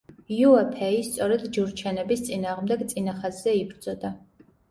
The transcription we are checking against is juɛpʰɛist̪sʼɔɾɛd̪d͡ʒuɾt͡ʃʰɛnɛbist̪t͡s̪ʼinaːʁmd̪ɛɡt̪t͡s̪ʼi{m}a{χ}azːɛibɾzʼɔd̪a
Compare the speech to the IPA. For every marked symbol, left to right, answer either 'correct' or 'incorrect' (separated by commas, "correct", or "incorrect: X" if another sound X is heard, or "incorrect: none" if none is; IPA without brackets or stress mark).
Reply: incorrect: n, correct